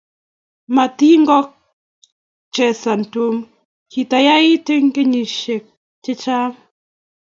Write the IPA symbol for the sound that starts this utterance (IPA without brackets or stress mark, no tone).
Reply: m